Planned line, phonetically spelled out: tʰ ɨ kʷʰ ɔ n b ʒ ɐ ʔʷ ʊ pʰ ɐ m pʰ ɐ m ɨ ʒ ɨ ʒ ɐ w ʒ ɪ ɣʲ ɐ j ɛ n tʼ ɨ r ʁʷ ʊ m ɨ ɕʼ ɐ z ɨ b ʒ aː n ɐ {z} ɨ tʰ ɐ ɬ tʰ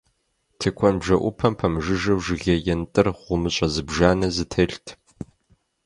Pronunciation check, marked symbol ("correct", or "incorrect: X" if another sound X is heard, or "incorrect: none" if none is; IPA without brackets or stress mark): correct